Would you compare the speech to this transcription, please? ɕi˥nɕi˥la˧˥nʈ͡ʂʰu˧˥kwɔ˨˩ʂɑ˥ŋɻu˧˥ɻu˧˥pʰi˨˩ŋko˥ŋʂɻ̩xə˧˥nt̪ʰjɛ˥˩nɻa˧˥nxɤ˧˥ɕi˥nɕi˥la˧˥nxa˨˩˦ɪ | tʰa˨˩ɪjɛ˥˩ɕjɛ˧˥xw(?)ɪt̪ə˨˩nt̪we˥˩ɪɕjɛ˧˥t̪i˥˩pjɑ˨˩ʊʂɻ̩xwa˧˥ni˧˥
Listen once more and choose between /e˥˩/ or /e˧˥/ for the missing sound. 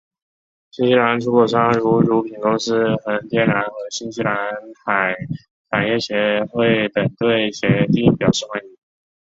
e˥˩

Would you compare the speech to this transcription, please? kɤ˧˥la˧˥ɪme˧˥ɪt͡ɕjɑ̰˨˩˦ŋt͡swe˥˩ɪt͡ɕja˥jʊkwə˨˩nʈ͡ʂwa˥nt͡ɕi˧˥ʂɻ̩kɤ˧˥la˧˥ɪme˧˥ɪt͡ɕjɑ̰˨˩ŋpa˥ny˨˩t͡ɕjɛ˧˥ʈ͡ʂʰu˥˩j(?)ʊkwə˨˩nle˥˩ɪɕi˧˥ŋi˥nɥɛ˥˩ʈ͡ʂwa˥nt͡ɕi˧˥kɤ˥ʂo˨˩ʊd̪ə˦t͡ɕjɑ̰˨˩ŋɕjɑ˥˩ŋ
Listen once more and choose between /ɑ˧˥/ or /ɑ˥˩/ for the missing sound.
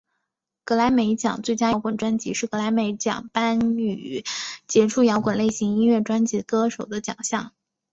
ɑ˧˥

